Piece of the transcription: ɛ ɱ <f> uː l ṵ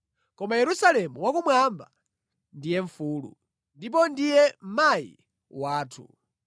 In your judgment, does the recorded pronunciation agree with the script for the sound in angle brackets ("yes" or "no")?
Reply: yes